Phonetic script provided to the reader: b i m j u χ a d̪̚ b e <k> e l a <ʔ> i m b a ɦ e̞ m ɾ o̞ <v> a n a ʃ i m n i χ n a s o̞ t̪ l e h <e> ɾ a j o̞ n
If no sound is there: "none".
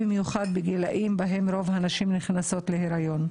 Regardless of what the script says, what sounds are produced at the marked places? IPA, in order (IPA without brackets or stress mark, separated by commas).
ɡ, ʔ, v, e